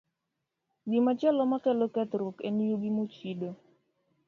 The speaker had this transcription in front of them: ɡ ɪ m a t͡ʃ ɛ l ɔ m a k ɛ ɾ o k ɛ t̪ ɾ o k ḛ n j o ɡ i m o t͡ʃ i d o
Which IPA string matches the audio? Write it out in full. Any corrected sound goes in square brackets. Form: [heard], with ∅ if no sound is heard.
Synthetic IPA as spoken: ɡ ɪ m a t͡ʃ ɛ l ɔ m a k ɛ [l] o k ɛ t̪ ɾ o k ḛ n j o ɡ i m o t͡ʃ i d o